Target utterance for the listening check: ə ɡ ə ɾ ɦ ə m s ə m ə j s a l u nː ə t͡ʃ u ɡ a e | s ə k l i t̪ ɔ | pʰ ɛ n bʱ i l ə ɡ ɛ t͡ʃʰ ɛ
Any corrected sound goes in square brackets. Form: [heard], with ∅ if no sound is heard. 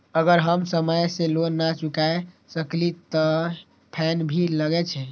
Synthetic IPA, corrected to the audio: ə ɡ ə ɾ ɦ ə m s ə m ə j s [e] l [o] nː [a] t͡ʃ u [k] a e | s ə k l i t̪ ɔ | pʰ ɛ n bʱ i l ə ɡ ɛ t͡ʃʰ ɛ